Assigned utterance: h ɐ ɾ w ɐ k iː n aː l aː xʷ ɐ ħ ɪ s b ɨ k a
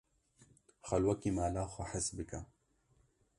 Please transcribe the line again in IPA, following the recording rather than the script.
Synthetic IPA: x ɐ l w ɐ k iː m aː l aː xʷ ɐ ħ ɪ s b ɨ k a